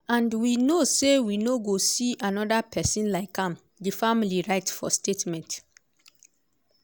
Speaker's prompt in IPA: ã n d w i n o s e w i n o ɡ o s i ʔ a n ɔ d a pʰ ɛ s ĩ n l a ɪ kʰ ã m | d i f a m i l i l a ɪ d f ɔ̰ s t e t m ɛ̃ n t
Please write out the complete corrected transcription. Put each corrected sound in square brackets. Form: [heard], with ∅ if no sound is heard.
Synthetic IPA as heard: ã n d w i n o s e w i n o ɡ o s i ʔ a n ɔ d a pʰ ɛ s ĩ n l a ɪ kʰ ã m | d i f a m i l i [ɹ] a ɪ [t] f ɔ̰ s t e t m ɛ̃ n t